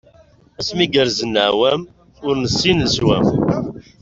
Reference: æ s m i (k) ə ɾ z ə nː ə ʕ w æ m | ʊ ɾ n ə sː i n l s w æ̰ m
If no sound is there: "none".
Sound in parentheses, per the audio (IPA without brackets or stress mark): ɡ